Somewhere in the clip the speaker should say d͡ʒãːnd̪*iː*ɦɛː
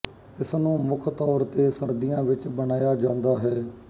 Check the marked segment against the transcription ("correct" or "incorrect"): incorrect